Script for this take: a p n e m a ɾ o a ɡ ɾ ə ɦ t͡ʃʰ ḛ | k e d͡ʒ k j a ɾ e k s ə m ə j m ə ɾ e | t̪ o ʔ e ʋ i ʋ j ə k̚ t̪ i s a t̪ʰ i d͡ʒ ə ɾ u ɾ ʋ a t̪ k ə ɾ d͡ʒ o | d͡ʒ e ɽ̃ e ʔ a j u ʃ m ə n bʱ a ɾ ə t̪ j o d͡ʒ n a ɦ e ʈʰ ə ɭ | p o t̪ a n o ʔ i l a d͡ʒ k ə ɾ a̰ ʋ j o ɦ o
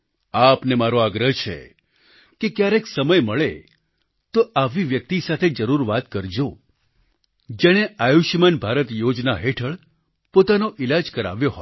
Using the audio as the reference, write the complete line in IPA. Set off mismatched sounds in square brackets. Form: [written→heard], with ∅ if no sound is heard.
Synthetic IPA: a p n e m a ɾ o a ɡ ɾ ə ɦ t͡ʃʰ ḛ | k e [d͡ʒ→∅] k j a ɾ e k s ə m ə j m ə [ɾ→ɭ] e | t̪ o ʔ [e→a] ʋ i ʋ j ə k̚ t̪ i s a t̪ʰ [i→e] d͡ʒ ə ɾ u ɾ ʋ a t̪ k ə ɾ d͡ʒ o | d͡ʒ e ɽ̃ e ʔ a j u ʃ m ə n bʱ a ɾ ə t̪ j o d͡ʒ n a ɦ e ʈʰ ə ɭ | p o t̪ a n o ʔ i l a d͡ʒ k ə ɾ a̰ ʋ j o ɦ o